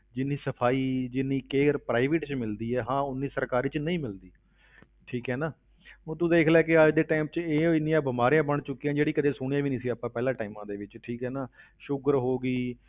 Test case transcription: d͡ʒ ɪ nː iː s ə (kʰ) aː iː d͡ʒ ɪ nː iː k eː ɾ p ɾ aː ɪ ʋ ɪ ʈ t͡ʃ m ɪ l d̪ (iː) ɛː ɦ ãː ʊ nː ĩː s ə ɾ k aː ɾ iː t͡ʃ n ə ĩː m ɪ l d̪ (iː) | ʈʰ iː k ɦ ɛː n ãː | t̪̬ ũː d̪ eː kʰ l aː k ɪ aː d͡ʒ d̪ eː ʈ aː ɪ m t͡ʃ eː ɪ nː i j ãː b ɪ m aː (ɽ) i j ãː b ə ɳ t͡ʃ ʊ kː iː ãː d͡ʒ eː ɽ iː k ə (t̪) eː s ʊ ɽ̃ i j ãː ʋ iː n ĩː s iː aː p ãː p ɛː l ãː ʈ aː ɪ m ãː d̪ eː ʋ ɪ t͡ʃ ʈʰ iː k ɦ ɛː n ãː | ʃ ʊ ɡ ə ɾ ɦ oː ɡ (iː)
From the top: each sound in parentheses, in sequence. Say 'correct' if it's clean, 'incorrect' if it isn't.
incorrect, correct, correct, incorrect, incorrect, correct

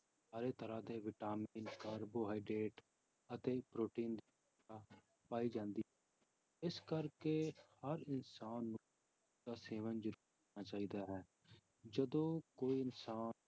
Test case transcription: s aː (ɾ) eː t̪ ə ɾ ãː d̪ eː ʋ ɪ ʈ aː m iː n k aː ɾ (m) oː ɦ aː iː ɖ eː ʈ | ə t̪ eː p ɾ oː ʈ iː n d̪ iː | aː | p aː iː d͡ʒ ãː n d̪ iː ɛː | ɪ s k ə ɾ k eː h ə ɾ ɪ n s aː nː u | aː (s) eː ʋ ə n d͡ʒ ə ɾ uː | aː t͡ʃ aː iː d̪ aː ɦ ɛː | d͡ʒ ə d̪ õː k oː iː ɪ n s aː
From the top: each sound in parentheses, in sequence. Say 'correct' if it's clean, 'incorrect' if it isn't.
correct, incorrect, correct

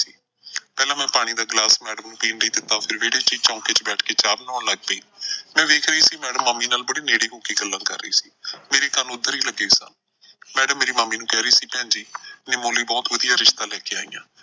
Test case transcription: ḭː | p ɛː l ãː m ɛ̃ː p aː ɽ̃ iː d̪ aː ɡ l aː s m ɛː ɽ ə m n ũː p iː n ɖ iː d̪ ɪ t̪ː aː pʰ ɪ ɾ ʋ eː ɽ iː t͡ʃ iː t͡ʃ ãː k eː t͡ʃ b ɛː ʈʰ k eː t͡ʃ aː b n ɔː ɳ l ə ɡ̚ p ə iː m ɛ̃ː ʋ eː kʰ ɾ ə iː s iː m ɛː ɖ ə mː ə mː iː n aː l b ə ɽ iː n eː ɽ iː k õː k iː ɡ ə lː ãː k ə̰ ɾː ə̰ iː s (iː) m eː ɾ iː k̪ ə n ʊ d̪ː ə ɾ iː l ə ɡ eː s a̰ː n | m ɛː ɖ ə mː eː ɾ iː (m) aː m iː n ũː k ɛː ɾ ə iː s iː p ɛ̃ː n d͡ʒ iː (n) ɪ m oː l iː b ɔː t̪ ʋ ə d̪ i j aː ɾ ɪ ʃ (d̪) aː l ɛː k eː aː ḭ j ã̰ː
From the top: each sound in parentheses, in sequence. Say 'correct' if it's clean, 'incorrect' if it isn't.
correct, correct, correct, incorrect

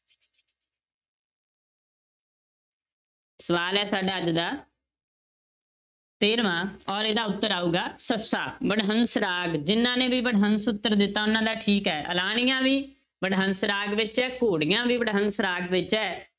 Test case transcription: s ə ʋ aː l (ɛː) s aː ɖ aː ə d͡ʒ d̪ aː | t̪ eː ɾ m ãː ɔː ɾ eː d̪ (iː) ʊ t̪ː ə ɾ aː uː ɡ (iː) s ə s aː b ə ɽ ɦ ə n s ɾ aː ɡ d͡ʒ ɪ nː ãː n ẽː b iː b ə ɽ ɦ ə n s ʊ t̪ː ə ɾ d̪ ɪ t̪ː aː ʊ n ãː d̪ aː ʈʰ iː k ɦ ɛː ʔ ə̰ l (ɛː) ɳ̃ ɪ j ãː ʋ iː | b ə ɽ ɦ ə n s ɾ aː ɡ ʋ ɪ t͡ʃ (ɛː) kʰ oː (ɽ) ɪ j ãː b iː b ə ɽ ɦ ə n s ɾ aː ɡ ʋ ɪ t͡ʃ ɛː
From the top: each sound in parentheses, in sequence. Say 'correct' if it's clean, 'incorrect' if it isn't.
correct, incorrect, incorrect, incorrect, correct, correct

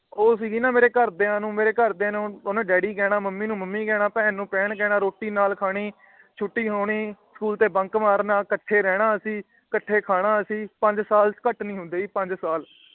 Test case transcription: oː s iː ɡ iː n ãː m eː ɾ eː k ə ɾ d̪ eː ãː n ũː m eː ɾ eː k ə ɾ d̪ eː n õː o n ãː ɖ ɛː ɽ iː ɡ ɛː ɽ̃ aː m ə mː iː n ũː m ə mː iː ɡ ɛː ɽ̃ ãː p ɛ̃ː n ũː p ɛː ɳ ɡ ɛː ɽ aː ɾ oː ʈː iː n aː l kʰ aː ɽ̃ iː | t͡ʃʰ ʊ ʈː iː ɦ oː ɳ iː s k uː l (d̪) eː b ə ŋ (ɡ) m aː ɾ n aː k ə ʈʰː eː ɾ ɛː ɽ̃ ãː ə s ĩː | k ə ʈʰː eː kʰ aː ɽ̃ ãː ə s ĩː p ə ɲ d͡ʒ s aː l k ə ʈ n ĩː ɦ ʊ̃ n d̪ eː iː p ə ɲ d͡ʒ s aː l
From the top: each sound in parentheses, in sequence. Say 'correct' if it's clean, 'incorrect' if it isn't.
incorrect, incorrect

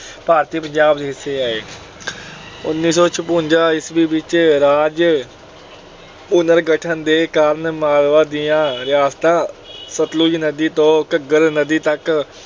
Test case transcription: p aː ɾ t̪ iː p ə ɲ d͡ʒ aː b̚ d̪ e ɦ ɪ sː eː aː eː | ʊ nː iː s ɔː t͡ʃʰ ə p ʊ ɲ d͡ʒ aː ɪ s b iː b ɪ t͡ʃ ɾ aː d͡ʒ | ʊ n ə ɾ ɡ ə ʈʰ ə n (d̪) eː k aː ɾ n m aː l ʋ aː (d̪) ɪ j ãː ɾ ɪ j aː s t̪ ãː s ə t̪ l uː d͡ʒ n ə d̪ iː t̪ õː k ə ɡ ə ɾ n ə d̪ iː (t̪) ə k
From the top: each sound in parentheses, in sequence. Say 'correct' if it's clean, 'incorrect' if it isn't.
correct, correct, correct

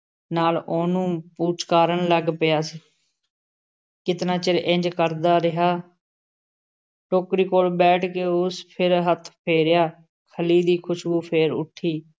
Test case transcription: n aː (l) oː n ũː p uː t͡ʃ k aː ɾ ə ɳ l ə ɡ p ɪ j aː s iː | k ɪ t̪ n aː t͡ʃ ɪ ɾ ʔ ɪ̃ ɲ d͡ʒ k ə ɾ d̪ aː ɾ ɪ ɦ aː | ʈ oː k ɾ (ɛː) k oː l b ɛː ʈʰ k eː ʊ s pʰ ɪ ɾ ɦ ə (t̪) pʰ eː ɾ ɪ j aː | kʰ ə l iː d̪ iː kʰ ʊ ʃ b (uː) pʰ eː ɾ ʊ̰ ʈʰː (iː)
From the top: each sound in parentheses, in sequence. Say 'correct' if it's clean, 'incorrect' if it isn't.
correct, incorrect, incorrect, correct, correct

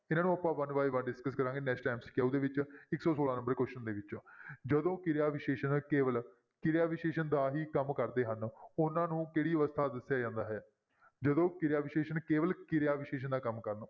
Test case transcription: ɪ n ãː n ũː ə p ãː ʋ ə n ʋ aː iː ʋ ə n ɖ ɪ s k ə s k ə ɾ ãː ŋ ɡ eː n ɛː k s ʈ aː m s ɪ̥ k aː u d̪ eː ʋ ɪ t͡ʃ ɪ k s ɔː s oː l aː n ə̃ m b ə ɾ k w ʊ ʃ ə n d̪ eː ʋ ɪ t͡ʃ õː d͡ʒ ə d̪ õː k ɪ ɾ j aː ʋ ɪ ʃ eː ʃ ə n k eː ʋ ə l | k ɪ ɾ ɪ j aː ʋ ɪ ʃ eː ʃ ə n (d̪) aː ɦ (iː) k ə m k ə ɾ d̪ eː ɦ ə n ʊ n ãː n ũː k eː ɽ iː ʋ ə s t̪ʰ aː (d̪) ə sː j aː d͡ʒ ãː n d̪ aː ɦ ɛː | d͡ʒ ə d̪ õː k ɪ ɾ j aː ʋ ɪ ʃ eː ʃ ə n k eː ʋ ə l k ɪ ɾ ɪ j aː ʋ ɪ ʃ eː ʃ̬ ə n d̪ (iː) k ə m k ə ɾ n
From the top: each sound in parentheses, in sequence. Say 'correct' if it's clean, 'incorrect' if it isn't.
correct, correct, correct, incorrect

